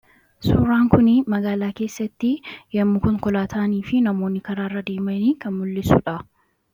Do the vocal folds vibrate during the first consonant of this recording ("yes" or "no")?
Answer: no